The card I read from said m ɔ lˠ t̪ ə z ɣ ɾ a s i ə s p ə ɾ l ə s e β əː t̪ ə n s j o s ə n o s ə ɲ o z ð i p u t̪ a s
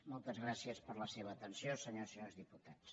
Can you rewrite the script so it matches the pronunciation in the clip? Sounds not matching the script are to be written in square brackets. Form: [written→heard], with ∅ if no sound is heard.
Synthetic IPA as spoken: m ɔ lˠ t̪ ə z ɣ ɾ a s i ə s p ə ɾ l ə s e β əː t̪ ə n s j o s ə [n→ɲ] o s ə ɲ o z ð i p u t̪ a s